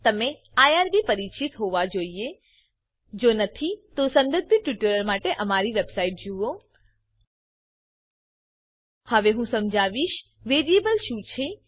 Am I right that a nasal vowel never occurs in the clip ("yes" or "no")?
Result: no